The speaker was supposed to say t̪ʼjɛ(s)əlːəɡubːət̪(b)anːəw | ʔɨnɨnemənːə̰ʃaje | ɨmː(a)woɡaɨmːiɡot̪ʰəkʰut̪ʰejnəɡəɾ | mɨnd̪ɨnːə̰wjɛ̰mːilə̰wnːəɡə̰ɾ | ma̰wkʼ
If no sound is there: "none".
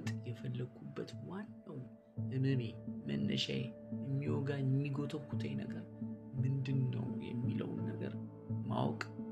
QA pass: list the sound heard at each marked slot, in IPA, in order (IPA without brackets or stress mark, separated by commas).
f, w, i